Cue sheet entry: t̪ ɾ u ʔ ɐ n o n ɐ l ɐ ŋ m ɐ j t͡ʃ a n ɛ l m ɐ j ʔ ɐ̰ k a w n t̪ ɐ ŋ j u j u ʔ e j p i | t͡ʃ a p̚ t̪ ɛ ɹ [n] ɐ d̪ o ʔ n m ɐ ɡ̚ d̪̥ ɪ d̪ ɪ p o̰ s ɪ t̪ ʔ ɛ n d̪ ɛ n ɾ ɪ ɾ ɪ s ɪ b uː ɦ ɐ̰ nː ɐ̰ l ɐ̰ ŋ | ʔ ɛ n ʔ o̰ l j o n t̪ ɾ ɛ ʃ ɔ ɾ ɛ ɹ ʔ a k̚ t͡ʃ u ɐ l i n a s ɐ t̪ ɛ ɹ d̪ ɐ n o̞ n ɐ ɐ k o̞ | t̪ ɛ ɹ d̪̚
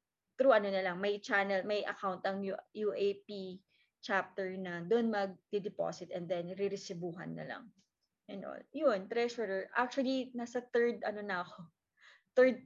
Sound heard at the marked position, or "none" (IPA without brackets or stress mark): n